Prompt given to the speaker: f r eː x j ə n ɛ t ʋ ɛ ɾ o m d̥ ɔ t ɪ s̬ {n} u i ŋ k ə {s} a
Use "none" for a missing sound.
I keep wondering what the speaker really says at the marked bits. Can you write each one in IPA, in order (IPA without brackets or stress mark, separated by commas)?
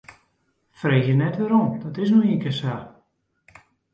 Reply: n, s